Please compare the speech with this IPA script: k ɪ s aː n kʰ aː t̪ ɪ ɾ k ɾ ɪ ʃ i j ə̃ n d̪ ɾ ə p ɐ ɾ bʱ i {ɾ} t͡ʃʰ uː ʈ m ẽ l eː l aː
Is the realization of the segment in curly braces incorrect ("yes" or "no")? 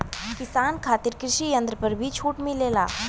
yes